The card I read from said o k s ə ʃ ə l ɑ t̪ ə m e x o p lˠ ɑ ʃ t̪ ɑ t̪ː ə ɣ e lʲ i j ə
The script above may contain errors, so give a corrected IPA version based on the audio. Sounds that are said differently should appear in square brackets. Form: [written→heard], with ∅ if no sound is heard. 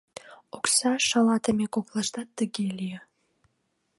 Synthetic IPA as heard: o k s [ə→ɑ] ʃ [ə→ɑ] l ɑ t̪ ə m e [x→k] o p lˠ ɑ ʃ t̪ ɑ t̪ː ə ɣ e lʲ i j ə